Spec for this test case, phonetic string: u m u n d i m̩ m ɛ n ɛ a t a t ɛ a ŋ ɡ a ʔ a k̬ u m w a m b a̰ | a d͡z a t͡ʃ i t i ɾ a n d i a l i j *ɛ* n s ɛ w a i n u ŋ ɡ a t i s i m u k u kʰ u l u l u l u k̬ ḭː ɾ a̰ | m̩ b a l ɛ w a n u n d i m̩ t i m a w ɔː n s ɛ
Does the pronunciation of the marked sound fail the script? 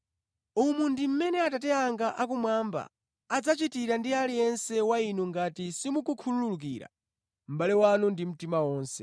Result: no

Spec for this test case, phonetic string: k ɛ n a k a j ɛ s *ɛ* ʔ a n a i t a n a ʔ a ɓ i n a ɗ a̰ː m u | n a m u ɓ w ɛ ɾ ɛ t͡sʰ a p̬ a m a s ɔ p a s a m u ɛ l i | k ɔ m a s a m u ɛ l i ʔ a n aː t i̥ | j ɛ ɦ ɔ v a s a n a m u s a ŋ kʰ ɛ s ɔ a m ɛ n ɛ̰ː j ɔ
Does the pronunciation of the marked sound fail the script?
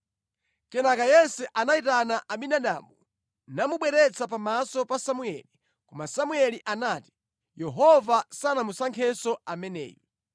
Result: no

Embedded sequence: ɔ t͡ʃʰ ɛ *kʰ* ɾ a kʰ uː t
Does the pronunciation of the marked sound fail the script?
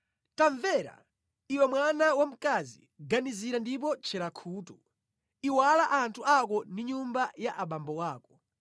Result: yes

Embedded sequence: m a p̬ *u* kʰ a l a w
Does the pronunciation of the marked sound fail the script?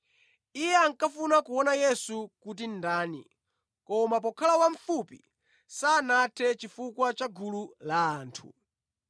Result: yes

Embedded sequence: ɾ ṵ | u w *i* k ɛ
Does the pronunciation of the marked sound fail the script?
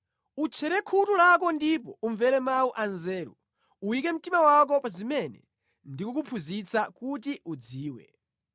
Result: no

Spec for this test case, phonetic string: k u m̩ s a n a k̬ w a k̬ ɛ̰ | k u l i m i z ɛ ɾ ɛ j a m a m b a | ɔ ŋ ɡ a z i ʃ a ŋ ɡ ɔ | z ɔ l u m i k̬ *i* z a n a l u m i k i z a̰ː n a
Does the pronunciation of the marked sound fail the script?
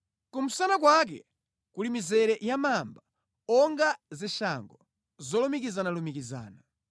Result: no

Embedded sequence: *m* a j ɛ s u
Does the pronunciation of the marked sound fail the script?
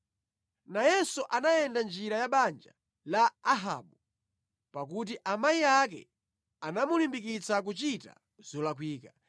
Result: yes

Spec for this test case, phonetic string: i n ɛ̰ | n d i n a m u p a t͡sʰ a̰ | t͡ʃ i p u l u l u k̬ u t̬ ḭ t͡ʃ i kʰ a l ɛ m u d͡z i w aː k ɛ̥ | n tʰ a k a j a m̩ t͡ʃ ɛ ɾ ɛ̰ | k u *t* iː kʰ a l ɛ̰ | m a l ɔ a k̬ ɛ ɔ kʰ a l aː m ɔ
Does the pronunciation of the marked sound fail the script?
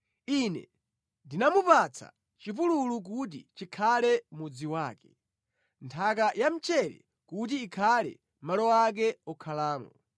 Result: no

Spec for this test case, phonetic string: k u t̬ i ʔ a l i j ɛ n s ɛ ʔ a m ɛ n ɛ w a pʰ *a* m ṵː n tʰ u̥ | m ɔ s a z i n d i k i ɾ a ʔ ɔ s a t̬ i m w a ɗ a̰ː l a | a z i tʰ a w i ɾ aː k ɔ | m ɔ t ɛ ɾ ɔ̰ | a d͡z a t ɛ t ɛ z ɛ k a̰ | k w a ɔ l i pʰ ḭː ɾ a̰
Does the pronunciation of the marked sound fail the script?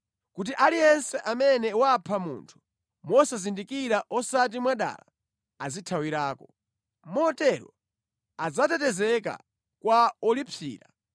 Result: no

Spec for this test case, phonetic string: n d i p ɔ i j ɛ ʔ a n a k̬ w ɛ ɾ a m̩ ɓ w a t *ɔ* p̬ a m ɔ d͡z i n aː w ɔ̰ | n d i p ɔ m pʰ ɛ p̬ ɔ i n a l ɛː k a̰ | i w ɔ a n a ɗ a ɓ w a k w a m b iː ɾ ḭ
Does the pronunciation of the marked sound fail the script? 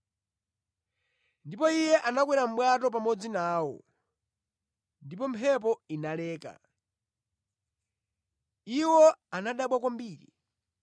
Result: no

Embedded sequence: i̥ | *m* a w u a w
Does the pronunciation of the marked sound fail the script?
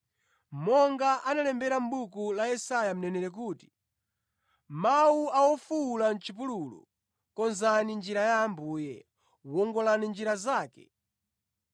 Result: no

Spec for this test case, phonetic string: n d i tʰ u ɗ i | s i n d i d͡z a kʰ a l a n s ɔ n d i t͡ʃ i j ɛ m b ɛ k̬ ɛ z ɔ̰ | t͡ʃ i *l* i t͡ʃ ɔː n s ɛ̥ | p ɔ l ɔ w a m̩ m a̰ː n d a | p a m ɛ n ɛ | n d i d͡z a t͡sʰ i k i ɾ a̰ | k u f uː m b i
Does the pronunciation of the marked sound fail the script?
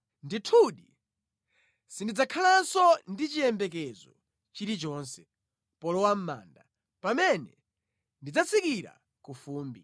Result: yes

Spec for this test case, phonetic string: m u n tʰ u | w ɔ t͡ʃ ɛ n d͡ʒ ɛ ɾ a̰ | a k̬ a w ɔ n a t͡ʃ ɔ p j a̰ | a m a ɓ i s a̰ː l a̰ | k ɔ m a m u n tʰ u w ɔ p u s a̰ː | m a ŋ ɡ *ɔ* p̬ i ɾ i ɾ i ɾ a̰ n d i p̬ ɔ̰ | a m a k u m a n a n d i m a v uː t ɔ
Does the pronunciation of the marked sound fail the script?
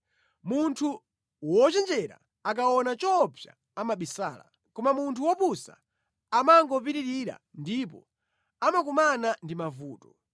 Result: no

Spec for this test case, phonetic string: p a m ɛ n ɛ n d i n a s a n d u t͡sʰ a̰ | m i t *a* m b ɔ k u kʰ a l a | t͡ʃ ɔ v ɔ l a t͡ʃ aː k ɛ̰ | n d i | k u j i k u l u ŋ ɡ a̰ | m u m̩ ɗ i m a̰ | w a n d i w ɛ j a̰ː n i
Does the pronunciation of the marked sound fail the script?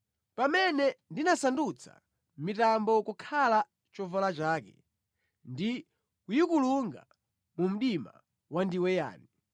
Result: no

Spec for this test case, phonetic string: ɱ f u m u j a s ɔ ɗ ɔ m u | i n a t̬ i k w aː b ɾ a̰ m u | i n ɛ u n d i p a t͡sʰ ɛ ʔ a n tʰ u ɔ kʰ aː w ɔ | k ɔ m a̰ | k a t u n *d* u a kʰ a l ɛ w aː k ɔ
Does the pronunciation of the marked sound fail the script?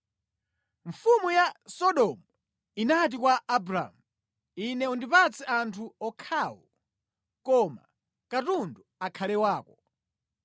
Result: no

